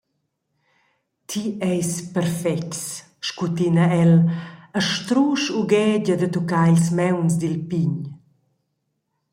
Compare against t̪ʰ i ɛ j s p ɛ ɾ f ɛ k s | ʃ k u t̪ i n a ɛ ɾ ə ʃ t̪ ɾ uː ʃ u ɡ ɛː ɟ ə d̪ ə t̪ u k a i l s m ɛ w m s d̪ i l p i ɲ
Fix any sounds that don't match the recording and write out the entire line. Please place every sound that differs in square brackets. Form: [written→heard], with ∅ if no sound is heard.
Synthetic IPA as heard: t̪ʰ i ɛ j s p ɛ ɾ f ɛ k s | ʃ k u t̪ i n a ɛ [ɾ→l] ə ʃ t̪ ɾ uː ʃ u ɡ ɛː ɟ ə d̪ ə t̪ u k a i l s m ɛ w [m→n] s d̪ i l p i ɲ